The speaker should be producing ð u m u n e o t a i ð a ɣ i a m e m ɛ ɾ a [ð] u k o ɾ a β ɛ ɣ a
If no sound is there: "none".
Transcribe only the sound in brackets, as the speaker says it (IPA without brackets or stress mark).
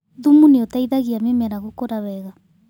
ɣ